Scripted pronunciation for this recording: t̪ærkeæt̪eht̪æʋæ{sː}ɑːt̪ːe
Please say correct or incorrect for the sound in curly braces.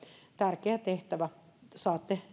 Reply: incorrect: s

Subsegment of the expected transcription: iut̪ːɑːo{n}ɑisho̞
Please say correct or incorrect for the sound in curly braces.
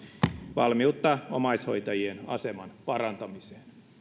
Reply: incorrect: m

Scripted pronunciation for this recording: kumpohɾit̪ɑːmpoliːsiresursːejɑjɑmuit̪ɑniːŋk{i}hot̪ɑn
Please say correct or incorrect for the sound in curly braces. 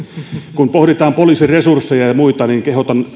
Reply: incorrect: e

